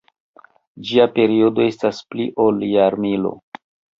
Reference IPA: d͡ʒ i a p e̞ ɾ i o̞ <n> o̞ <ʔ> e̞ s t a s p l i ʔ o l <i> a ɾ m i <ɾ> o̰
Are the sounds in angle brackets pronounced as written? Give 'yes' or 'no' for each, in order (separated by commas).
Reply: no, no, no, no